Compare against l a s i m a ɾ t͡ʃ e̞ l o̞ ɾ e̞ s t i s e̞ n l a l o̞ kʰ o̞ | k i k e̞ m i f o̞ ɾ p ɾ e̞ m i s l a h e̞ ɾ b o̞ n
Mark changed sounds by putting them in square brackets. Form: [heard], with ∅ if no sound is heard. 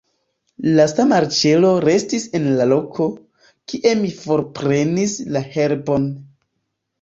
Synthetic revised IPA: l a s [a] m a ɾ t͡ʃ e̞ l o̞ ɾ e̞ s t i s e̞ n l a l o̞ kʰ o̞ | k i [ʔ] e̞ m i f o̞ ɾ p ɾ e̞ [n] i s l a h e̞ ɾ b o̞ n